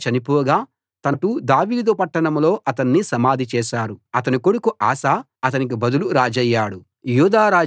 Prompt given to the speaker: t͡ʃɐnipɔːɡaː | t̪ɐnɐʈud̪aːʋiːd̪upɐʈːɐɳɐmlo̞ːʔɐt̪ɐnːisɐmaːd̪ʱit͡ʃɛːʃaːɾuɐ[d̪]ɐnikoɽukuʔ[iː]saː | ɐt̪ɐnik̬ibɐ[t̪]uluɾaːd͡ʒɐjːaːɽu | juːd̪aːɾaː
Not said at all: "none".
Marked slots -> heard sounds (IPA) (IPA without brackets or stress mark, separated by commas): t̪, aː, d̪